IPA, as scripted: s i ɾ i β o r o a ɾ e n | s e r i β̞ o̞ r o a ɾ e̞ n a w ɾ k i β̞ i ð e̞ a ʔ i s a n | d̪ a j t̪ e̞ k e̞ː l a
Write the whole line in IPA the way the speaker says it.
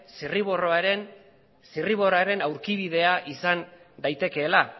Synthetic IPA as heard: s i r i β o r o a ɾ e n | s i r i β̞ o̞ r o a ɾ e̞ n a w ɾ k i β̞ i ð e̞ a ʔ i s a n | d̪ a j t̪ e̞ k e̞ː l a